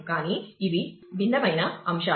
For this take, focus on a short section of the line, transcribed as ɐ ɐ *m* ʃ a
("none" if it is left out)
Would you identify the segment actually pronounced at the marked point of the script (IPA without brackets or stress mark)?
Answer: m